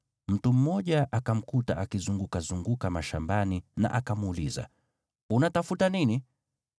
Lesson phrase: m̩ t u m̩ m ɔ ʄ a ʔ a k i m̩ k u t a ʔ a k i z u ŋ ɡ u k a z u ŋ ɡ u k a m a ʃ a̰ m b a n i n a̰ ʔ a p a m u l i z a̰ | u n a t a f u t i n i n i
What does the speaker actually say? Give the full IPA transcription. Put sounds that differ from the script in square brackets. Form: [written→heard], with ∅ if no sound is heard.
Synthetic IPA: m̩ t u m̩ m ɔ ʄ a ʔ a k [i→a] m̩ k u t a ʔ a k i z u ŋ ɡ u k a z u ŋ ɡ u k a m a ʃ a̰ m b a n i n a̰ ʔ a [p→k] a m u l i z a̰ | u n a t a f u t [i→a] n i n i